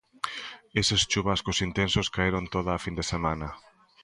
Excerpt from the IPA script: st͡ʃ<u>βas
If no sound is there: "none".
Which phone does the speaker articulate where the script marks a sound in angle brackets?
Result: u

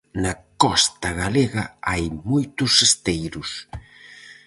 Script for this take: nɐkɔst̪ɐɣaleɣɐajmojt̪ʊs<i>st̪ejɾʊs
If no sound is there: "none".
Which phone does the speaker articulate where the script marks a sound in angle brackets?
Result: e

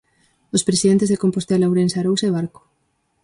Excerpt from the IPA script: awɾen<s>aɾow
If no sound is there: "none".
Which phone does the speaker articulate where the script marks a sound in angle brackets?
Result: s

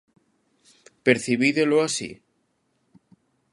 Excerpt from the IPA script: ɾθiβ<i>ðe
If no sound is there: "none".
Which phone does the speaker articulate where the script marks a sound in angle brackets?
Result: i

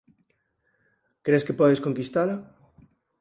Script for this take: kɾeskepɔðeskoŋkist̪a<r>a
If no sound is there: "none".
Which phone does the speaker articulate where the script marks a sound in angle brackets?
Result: l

